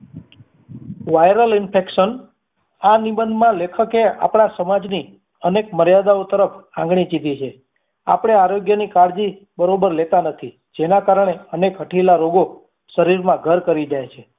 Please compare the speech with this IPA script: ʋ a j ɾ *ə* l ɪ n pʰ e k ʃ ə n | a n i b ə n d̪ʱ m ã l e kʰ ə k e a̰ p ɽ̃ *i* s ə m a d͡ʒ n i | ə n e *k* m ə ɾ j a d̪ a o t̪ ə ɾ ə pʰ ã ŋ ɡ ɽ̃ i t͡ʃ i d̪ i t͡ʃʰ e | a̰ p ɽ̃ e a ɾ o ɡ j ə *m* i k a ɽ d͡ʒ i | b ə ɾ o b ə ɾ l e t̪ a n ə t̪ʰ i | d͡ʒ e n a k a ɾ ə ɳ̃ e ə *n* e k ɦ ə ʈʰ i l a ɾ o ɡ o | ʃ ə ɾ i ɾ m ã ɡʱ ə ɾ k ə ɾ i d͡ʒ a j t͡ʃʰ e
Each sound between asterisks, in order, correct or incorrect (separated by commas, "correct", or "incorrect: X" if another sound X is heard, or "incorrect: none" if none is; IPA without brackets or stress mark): correct, incorrect: a, correct, incorrect: n, correct